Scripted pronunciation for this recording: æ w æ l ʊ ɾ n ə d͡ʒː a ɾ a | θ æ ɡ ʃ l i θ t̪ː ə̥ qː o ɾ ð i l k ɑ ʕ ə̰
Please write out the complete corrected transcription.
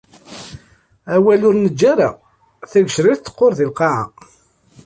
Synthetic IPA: æ w æ l ʊ ɾ n ə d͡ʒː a ɾ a | θ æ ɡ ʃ ɾ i θ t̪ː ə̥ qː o ɾ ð i l q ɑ ʕ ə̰